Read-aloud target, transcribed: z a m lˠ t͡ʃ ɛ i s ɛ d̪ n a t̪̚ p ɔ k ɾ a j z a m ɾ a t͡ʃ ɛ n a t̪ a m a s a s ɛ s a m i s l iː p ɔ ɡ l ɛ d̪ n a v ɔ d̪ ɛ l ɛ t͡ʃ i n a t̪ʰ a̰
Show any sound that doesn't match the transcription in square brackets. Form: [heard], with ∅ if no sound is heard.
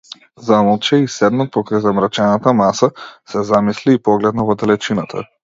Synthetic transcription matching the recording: z a m lˠ t͡ʃ ɛ i s ɛ d̪ n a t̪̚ p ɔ k ɾ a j z a m ɾ a t͡ʃ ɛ n a t̪ a m a s a s ɛ [z] a m i s l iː p ɔ ɡ l ɛ d̪ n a v ɔ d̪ ɛ l ɛ t͡ʃ i n a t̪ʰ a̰